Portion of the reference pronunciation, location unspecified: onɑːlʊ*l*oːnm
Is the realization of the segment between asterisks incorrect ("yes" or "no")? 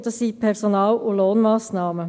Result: no